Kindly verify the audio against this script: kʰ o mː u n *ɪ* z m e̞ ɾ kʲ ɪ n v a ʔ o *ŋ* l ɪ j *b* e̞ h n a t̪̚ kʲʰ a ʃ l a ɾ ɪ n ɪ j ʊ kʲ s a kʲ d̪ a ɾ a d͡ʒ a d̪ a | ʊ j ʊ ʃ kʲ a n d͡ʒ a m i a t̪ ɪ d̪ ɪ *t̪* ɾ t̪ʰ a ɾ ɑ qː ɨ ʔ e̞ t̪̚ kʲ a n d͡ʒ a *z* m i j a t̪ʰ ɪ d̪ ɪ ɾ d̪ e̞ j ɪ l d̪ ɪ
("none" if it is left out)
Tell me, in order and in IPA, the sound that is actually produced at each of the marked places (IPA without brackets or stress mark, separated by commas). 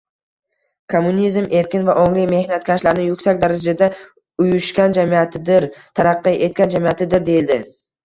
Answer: i, ŋ, m, none, none